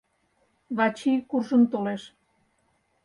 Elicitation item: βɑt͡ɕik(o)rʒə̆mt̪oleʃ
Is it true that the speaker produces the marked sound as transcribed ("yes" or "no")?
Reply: no